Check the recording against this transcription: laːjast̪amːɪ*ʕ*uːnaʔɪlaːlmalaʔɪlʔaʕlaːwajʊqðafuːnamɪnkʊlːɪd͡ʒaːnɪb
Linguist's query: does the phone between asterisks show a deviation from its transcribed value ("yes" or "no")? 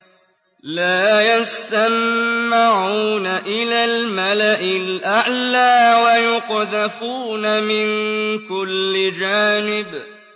no